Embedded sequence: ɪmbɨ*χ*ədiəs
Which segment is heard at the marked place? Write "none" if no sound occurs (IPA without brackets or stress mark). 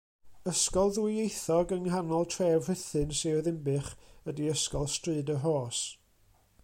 χ